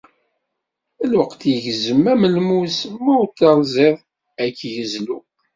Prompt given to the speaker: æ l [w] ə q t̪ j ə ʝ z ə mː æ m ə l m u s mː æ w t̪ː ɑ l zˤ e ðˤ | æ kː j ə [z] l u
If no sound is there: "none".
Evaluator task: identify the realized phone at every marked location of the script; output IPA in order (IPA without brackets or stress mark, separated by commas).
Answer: w, z